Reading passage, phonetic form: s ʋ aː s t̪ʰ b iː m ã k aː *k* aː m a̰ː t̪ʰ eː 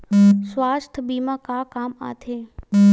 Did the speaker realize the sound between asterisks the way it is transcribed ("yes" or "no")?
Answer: yes